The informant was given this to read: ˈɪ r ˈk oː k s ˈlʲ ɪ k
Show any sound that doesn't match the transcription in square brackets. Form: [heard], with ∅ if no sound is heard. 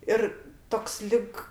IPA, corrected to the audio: ˈɪ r [ˈt] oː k s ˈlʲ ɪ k

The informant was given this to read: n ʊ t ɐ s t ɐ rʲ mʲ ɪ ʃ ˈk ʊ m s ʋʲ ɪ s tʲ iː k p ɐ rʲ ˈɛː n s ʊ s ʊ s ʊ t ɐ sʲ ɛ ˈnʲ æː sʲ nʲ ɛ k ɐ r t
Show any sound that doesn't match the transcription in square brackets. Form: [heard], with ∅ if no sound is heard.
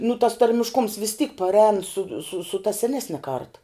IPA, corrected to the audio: n ʊ t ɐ s t ɐ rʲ mʲ ɪ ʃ ˈk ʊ m s ʋʲ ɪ s tʲ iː k p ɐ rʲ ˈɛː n s ʊ s ʊ s ʊ t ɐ sʲ ɛ ˈnʲ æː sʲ nʲ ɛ k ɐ r t

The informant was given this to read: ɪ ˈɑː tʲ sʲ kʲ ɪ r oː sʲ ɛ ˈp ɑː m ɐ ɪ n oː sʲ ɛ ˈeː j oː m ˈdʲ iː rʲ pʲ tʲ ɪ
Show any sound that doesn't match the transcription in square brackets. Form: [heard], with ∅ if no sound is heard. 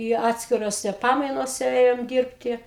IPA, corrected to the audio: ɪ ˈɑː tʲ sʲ kʲ ɪ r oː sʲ ɛ ˈp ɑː m ɐ ɪ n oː sʲ ɛ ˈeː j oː m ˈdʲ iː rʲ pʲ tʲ ɪ

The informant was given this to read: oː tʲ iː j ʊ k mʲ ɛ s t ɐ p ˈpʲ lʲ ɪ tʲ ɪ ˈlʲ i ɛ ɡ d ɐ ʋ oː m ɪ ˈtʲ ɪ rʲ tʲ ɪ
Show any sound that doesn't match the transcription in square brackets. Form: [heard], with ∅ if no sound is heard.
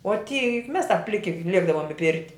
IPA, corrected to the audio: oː tʲ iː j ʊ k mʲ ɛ s t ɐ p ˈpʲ lʲ ɪ [kʲ] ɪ ˈlʲ i ɛ ɡ d ɐ ʋ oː m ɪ [ˈpʲ] ɪ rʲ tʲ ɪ

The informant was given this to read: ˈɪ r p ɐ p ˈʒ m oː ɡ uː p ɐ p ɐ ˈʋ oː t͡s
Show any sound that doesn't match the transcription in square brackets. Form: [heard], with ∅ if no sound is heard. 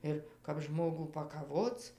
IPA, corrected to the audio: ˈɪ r [k] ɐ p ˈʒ m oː ɡ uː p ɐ [k] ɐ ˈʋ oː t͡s

